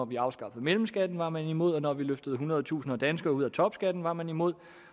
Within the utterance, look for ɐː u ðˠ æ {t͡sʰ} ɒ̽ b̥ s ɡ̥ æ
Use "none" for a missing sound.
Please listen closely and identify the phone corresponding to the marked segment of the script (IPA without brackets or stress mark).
t͡sʰ